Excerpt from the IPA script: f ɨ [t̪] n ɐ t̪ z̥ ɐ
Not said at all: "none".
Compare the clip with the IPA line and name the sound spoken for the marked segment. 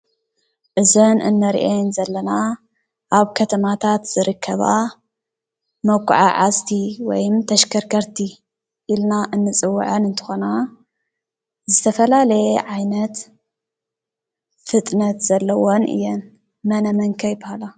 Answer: t̪ʼ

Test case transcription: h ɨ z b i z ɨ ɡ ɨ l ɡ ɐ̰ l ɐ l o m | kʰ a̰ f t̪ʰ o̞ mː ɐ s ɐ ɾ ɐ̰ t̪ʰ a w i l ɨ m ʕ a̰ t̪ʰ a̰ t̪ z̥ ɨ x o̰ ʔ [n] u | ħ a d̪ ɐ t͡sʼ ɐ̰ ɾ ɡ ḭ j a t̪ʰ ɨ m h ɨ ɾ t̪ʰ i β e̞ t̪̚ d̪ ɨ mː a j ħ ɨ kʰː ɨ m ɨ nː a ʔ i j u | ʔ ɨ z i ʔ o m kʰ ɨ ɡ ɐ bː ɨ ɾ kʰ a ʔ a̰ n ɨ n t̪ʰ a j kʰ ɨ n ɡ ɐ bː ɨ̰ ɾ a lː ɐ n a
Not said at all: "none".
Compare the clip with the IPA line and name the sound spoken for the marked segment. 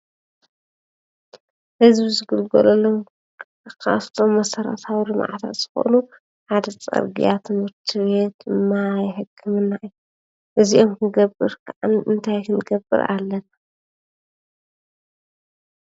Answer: n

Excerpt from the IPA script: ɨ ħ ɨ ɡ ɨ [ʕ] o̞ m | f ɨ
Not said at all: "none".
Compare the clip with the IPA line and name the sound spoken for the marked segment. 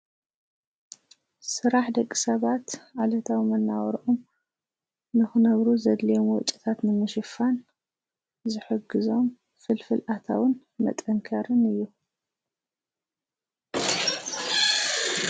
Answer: z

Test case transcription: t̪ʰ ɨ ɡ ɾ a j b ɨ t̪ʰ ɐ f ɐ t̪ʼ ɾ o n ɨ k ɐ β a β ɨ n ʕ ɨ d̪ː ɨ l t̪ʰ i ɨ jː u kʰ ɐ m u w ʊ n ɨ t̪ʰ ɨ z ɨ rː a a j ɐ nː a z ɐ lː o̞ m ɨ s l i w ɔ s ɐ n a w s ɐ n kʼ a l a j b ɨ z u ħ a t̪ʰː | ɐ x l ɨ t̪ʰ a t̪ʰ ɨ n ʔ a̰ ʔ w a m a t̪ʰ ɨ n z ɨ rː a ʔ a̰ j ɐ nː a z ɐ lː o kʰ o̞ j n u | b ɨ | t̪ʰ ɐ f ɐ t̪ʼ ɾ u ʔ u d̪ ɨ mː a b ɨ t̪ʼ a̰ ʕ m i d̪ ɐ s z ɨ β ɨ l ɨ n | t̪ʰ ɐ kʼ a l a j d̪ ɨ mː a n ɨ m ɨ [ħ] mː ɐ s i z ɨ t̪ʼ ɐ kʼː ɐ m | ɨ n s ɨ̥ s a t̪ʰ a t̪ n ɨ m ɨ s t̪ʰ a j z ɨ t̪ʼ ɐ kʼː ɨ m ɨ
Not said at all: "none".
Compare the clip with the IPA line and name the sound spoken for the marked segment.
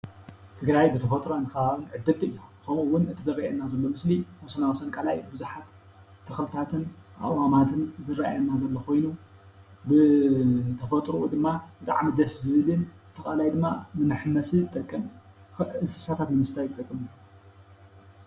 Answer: ħ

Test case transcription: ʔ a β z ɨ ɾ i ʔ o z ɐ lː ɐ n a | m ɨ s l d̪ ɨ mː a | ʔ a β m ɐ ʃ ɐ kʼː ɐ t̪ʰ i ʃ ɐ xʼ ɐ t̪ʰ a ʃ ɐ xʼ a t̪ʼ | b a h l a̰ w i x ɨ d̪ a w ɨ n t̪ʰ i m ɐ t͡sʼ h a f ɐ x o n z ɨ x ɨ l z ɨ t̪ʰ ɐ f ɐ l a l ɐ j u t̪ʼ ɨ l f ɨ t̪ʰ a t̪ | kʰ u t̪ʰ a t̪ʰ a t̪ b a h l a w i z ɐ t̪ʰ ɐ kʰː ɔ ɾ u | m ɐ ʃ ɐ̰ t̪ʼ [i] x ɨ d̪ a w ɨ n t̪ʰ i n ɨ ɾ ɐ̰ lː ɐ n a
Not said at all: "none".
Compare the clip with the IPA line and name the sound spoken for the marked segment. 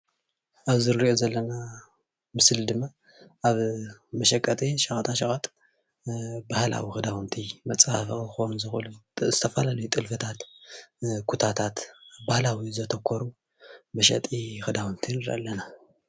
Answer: i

